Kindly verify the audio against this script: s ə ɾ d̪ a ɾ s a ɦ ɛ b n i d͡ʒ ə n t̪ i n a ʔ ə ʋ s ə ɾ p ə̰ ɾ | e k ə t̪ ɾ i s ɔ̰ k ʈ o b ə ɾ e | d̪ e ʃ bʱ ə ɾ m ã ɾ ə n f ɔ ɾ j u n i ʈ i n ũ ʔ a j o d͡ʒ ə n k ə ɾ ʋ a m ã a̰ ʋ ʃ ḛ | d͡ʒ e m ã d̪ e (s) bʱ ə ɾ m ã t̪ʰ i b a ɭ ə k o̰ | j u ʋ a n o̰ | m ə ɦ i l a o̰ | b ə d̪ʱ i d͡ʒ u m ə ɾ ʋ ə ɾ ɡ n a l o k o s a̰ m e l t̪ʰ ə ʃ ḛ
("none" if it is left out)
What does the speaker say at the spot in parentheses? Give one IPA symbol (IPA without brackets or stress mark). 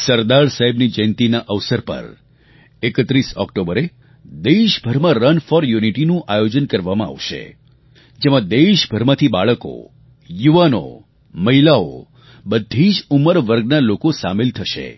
ʃ